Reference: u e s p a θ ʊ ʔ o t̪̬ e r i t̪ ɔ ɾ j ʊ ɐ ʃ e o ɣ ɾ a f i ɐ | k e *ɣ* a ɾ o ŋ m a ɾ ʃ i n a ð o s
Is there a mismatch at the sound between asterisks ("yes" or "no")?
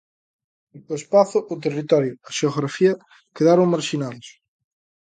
yes